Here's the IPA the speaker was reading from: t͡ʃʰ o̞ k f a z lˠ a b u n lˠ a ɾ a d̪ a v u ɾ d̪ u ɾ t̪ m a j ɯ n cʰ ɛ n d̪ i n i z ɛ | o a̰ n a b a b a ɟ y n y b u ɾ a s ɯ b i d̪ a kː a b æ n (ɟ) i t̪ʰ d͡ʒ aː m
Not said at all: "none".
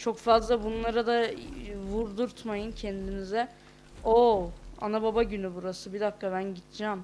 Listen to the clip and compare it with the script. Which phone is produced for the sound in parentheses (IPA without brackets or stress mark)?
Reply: ɟ